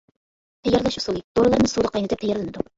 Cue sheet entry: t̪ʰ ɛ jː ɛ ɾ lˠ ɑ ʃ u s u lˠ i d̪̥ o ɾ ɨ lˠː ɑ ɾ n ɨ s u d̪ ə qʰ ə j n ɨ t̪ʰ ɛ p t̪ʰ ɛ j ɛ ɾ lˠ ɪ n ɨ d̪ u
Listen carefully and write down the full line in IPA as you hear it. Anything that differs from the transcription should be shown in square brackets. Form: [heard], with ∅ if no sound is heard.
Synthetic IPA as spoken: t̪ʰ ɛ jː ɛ ɾ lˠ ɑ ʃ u s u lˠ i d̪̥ o ɾ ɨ [lˠ] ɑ ɾ n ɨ s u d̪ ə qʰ [ɑ] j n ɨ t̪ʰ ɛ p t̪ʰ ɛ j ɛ ɾ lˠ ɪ n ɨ d̪ u